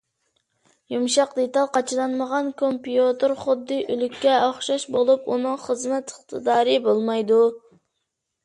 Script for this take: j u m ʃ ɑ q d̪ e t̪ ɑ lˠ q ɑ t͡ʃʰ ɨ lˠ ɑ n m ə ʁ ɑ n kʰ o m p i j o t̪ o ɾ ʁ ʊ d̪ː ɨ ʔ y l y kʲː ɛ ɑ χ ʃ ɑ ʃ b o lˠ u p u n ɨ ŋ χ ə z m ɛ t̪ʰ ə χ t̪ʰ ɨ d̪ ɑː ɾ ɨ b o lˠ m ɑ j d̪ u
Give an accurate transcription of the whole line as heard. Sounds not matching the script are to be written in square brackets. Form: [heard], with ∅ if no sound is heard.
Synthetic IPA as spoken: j u m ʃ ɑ q d̪ e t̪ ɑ lˠ q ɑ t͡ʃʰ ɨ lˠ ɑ n m ə ʁ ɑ n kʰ o m p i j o t̪ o ɾ [χ] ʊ d̪ː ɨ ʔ y l y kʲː ɛ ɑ χ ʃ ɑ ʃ b o lˠ u p u n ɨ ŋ χ ə z m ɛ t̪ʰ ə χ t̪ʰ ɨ d̪ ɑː ɾ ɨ b o lˠ m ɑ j d̪ u